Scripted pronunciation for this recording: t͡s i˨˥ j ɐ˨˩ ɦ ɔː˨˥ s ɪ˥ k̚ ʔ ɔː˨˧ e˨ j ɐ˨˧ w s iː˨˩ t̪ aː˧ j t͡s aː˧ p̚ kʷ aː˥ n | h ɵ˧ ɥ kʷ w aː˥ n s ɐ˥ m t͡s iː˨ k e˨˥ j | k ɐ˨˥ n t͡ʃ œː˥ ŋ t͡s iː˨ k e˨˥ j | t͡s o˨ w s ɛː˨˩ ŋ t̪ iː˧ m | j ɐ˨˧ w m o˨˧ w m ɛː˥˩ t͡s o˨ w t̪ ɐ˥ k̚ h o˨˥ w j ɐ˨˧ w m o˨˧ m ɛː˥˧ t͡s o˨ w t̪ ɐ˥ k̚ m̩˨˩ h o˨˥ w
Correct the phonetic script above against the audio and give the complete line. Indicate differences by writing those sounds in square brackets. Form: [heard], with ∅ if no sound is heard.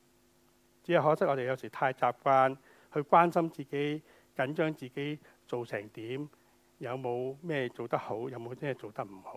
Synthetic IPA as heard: t͡s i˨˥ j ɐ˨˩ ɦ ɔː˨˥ s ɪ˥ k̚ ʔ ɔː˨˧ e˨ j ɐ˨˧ w s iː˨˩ [t̪ʰ] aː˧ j t͡s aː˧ p̚ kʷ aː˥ n | h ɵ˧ ɥ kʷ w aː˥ n s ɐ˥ m t͡s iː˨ k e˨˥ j | k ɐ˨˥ n t͡ʃ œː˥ ŋ t͡s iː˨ k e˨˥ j | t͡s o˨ w s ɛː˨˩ ŋ t̪ [iː˨˥] m | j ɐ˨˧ w m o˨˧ w m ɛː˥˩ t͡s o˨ w t̪ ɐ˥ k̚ h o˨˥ w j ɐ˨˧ w m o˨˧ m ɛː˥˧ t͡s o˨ w t̪ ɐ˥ k̚ m̩˨˩ h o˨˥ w